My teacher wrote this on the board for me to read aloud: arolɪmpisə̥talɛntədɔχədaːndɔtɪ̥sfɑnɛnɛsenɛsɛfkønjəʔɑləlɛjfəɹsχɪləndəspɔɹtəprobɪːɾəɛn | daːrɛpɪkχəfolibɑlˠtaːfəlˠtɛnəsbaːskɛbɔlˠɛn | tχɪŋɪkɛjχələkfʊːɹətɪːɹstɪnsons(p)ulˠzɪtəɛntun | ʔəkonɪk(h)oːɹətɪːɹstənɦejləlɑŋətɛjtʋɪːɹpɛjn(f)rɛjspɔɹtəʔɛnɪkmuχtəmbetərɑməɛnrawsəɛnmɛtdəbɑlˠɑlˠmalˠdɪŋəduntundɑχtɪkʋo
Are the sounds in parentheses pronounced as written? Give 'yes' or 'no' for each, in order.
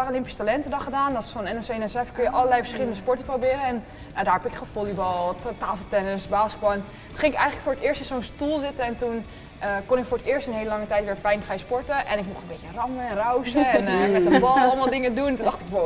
no, no, yes

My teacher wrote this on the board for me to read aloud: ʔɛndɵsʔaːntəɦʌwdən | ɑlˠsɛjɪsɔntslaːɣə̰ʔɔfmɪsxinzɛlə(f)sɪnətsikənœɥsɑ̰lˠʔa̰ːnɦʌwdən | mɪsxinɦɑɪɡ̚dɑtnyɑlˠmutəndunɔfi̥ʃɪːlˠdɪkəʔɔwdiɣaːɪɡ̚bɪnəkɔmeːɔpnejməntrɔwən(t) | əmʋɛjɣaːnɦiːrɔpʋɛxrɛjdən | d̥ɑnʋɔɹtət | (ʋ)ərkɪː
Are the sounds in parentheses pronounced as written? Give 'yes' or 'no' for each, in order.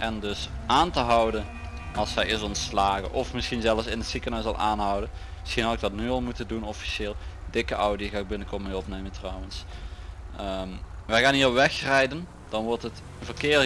yes, no, no

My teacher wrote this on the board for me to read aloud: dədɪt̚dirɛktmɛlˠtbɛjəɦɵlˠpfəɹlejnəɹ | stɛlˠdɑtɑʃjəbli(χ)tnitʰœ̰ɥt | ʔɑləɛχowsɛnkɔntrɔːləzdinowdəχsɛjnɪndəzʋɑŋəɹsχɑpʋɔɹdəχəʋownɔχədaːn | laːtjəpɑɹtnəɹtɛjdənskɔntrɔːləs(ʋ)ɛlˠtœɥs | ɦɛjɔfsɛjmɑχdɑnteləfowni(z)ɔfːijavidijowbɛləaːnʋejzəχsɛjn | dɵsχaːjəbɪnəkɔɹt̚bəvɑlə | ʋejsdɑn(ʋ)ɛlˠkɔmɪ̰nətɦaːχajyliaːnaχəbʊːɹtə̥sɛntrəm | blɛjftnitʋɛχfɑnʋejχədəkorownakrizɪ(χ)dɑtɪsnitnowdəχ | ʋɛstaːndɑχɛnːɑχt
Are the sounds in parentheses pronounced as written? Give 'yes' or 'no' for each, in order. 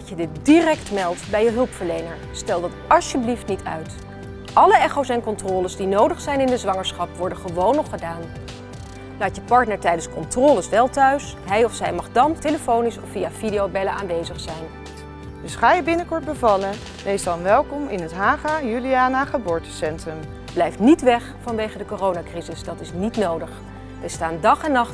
no, yes, no, yes, no

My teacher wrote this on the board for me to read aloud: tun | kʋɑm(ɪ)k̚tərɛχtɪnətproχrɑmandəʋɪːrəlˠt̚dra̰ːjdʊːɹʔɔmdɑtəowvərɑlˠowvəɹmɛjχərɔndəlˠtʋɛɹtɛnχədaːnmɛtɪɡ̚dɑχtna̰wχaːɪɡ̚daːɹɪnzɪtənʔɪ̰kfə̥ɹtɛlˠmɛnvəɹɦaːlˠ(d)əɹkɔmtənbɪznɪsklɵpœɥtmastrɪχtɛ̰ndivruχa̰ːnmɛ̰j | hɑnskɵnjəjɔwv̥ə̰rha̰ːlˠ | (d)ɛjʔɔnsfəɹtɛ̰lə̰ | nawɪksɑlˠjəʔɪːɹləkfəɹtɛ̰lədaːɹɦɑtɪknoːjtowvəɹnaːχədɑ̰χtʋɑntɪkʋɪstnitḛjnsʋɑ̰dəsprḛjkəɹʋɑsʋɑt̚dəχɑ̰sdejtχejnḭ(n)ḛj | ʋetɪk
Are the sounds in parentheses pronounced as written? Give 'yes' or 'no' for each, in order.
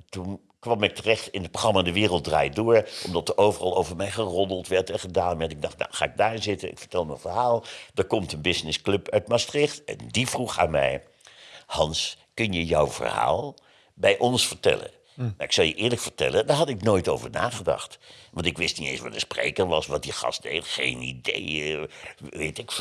yes, yes, no, no

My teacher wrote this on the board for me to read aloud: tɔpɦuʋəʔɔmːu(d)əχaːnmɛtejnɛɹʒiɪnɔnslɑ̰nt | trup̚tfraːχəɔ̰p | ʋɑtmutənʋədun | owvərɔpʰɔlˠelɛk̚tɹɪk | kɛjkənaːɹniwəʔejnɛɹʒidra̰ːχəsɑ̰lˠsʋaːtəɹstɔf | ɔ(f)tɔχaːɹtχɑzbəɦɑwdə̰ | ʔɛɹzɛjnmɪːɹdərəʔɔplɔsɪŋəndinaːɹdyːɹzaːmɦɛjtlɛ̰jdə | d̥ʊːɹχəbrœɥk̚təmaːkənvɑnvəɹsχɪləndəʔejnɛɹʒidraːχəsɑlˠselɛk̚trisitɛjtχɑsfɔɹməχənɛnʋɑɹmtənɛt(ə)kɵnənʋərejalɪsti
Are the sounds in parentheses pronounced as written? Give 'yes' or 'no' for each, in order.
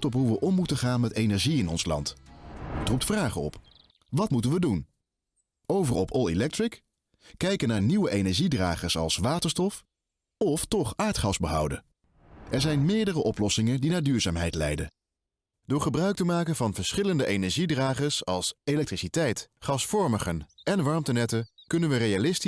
no, yes, yes

